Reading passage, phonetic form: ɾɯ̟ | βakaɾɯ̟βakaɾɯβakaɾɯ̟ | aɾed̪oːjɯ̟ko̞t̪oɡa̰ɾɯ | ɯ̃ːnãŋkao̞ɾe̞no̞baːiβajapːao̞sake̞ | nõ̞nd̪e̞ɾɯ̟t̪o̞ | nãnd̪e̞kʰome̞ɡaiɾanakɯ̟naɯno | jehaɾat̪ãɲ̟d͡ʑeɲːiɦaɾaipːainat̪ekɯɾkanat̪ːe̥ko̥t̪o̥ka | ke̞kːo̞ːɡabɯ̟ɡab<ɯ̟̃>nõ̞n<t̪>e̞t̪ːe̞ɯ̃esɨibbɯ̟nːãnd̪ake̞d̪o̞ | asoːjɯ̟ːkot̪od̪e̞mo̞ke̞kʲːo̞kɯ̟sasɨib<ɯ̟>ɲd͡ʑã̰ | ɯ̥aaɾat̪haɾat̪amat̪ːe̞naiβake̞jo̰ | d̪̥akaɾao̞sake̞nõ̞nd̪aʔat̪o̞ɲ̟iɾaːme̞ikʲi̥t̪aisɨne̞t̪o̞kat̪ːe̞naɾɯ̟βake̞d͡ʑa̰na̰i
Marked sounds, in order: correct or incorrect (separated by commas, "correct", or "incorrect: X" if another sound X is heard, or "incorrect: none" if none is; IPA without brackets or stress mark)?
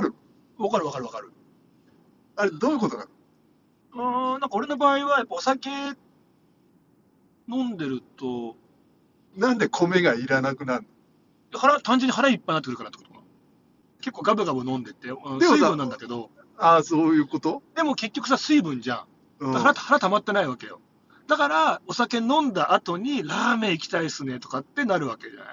incorrect: ɯ̟, incorrect: d̪, incorrect: ɯ̟̃